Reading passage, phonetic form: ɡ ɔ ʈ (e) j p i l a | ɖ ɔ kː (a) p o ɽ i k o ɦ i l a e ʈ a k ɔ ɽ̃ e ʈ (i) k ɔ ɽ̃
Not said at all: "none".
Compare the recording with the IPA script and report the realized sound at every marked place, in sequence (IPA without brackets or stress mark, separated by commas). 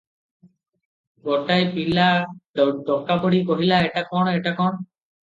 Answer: a, a, a